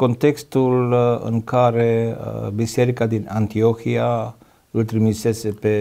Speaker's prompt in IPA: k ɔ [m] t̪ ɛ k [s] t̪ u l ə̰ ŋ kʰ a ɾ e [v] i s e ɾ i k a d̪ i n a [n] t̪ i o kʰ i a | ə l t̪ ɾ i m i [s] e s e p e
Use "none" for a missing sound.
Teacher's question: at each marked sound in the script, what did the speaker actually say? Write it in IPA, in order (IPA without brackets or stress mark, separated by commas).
n, s, b, n, s